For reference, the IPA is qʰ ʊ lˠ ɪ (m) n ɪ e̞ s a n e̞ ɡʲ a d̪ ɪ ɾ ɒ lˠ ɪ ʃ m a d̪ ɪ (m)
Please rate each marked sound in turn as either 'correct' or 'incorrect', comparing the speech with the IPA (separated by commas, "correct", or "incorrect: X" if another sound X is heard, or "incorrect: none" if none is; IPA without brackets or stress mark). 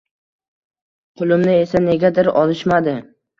correct, incorrect: none